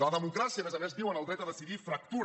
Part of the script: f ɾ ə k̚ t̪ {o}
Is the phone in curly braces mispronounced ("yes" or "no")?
yes